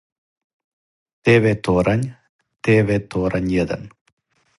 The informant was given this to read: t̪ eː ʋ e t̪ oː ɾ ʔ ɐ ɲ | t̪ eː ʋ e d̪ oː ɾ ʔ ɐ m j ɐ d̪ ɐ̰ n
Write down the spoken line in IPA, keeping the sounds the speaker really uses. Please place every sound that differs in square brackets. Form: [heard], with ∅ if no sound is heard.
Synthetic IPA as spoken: t̪ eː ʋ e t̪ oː ɾ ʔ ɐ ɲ | t̪ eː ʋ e [t̪] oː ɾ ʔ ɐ [ɲ] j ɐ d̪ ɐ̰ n